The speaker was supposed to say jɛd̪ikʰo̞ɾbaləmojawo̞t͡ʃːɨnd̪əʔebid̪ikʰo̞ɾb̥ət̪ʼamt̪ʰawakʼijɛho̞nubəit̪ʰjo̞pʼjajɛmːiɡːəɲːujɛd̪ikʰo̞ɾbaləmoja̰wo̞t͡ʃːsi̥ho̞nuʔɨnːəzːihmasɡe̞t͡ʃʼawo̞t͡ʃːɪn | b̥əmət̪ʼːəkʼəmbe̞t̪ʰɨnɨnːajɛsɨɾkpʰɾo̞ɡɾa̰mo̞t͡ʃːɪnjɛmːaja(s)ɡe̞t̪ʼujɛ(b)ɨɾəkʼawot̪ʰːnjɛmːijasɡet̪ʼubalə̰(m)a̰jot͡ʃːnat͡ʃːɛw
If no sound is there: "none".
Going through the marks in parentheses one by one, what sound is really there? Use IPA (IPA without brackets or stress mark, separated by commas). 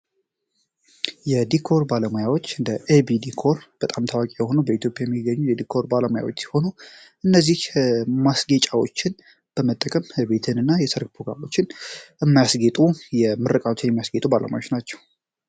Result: s, m, m